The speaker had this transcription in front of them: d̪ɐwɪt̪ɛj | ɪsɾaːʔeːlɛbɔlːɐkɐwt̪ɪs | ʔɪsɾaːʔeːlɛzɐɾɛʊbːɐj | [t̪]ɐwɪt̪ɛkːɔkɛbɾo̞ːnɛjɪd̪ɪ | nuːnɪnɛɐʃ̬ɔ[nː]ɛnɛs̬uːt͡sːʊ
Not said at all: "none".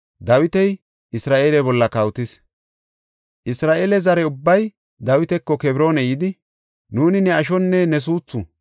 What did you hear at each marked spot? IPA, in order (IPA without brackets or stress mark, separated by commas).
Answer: d̪, nː